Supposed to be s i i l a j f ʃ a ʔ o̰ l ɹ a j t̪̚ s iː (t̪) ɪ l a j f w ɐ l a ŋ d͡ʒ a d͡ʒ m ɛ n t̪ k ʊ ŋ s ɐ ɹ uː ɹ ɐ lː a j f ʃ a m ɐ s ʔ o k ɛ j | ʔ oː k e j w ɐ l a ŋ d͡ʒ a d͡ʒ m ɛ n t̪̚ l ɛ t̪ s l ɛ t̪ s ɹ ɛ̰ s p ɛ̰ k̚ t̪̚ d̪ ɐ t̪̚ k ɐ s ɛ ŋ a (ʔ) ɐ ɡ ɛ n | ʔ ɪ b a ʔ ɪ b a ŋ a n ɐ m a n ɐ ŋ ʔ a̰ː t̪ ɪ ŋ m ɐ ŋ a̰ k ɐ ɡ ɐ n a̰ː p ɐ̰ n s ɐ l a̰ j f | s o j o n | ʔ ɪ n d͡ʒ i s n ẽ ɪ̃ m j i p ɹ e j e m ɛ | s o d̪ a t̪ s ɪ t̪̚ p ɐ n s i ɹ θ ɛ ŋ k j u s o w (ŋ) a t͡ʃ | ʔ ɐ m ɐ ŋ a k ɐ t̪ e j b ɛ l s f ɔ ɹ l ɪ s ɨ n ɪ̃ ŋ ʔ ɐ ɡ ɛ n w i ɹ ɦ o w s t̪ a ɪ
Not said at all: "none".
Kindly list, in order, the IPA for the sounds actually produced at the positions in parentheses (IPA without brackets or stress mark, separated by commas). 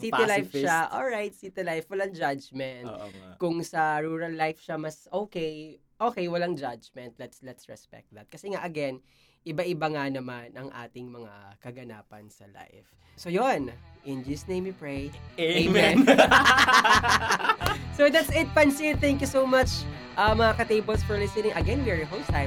t̪, ʔ, m